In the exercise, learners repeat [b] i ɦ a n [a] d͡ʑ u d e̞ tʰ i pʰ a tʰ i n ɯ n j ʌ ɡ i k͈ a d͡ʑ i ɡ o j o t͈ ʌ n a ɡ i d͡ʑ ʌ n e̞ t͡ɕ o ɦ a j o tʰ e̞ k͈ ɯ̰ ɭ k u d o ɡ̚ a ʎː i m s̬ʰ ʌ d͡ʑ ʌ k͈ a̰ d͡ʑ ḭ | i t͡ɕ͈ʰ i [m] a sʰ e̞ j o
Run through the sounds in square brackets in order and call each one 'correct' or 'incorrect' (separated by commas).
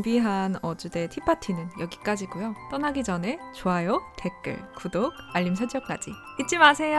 correct, incorrect, correct